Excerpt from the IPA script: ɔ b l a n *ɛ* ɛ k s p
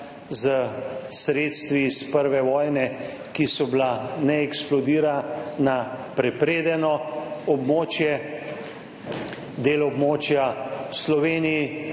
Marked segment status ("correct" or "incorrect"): correct